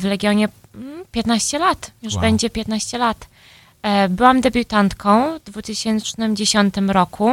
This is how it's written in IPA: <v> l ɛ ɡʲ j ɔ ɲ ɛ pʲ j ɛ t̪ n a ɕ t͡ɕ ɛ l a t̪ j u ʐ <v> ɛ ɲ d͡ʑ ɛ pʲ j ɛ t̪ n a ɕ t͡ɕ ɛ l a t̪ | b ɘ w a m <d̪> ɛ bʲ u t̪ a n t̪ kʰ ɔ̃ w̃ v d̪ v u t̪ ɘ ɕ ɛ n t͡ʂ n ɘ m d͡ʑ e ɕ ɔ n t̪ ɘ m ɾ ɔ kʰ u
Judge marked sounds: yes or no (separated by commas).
yes, no, yes